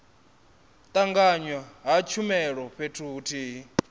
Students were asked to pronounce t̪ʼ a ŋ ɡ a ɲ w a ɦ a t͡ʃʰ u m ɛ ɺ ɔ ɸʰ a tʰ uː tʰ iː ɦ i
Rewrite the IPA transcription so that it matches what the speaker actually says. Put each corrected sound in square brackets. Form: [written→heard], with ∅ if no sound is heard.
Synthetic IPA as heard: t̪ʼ a ŋ ɡ a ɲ w a ɦ a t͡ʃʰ u m ɛ ɺ ɔ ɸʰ [a→e] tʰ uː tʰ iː ɦ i